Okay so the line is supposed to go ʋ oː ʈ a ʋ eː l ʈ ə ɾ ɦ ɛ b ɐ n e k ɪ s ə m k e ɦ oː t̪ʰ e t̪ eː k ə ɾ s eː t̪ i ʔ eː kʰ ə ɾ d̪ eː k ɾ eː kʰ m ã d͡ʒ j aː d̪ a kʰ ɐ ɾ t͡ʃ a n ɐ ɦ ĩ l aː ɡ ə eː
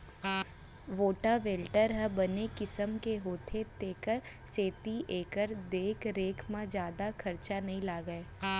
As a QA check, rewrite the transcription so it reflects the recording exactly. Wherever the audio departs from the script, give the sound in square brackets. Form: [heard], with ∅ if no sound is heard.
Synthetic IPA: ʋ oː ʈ a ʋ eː l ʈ ə ɾ ɦ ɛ b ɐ n e k ɪ s ə m k e ɦ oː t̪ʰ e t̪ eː k ə ɾ s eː t̪ i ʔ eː [k] ə ɾ d̪ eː k ɾ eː kʰ m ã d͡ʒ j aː d̪ a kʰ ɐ ɾ t͡ʃ a n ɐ ɦ ĩ l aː ɡ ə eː

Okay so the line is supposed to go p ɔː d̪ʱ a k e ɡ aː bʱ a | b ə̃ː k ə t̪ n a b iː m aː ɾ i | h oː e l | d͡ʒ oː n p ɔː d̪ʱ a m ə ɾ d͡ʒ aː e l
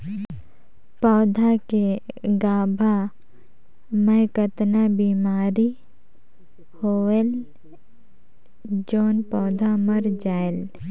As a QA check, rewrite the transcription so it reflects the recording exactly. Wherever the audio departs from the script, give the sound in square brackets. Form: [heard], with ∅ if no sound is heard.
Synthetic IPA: p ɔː d̪ʱ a k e ɡ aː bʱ a | [m] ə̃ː k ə t̪ n a b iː m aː ɾ i | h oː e l | d͡ʒ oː n p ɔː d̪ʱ a m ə ɾ d͡ʒ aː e l

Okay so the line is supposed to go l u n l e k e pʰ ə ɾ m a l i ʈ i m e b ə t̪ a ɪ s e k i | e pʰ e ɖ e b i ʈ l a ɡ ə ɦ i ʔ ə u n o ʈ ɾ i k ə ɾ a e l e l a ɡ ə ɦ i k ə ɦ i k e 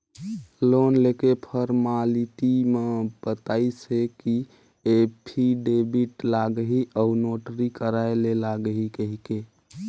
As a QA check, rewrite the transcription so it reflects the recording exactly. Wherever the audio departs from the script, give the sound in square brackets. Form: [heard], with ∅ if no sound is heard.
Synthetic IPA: l [o] n l e k e pʰ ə ɾ m a l i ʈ i m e b ə t̪ a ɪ s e k i | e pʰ [i] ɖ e b i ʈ l a ɡ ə ɦ i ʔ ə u n o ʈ ɾ i k ə ɾ a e l e l a ɡ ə ɦ i k ə ɦ i k e

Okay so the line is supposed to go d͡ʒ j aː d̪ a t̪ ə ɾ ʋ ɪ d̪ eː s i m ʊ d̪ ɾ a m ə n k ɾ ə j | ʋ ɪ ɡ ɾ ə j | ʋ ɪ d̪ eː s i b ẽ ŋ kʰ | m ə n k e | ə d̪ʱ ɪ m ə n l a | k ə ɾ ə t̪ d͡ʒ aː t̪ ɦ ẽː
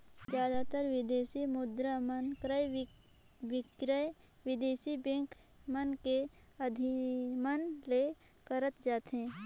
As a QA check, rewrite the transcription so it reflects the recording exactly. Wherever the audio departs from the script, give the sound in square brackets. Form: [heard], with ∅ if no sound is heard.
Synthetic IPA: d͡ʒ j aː d̪ a t̪ ə ɾ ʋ ɪ d̪ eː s i m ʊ d̪ ɾ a m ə n k ɾ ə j | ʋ ɪ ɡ ɾ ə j | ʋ ɪ d̪ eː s i b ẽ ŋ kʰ | m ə n k e | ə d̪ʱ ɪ m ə n l [e] | k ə ɾ ə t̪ d͡ʒ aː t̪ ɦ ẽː

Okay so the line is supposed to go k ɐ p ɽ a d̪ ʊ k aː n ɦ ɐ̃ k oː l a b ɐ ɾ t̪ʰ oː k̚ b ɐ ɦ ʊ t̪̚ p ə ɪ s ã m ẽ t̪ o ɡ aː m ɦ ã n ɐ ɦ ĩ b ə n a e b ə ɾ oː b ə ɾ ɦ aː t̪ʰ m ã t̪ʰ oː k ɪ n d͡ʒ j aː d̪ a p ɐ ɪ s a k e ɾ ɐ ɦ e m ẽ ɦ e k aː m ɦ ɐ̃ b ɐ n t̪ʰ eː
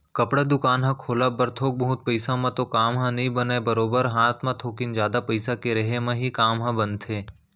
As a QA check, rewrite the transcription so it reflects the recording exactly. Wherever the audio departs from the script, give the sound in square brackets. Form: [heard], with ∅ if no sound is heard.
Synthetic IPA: k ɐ p ɽ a d̪ ʊ k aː n ɦ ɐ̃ [kʰ] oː l a b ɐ ɾ t̪ʰ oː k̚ b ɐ ɦ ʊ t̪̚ p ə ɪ s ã m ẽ t̪ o [k] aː m ɦ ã n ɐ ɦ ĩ b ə n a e b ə ɾ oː b ə ɾ ɦ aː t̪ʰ m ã t̪ʰ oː k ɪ n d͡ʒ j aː d̪ a p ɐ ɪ s a k e ɾ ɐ ɦ e m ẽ ɦ [i] k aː m ɦ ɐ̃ b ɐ n t̪ʰ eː

